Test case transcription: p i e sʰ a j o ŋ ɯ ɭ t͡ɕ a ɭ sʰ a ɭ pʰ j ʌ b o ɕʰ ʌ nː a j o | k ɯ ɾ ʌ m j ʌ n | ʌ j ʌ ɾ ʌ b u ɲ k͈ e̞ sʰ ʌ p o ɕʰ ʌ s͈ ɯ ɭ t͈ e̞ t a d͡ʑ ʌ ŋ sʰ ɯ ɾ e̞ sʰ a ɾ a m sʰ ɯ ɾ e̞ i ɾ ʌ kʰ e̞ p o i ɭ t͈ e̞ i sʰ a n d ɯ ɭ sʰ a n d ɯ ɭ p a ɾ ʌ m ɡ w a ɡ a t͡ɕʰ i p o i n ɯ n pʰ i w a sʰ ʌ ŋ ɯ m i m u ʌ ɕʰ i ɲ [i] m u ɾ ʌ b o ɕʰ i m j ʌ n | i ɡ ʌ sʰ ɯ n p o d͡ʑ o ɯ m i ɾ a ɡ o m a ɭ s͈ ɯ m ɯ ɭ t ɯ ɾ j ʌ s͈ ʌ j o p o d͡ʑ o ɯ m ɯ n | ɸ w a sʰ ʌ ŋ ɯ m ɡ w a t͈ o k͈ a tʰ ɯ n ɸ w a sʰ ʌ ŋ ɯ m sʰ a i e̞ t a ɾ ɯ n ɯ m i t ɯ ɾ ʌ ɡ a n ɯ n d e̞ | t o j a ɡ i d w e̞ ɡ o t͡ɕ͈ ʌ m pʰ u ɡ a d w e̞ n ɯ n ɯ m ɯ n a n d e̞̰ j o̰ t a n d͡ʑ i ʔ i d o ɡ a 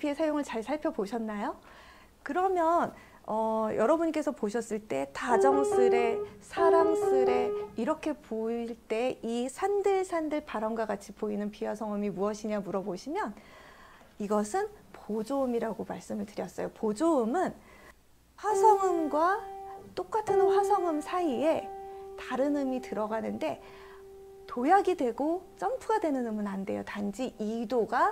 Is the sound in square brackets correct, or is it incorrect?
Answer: incorrect